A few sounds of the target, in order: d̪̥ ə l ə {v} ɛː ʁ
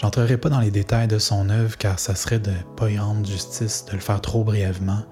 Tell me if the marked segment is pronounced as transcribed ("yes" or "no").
no